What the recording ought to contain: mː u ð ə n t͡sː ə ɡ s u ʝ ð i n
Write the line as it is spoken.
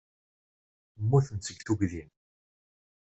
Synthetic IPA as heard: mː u θ ə n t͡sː ə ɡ θ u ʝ ð i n